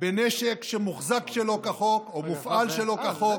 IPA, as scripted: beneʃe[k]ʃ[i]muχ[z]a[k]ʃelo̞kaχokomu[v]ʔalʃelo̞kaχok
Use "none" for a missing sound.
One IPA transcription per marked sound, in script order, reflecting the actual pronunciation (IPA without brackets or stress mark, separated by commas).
k, e, z, k, f